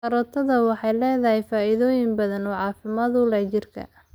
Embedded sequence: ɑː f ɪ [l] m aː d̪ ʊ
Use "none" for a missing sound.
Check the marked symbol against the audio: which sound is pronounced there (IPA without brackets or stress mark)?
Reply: none